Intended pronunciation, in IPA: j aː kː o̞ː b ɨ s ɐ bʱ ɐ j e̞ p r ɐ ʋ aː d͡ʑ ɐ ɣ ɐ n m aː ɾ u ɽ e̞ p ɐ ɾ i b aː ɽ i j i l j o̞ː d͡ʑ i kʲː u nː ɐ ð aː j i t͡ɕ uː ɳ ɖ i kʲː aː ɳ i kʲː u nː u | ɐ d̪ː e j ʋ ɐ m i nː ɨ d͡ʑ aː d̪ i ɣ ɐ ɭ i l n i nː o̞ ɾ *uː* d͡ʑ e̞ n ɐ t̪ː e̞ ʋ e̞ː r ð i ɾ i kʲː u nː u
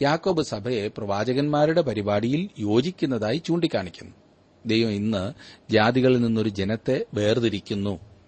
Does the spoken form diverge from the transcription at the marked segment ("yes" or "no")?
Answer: yes